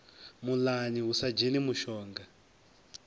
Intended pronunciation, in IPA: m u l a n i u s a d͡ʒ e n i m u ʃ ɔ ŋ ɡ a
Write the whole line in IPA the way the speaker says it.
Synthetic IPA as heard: m u l a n i u s a d͡ʒ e n i m u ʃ ɔː ŋ ɡ a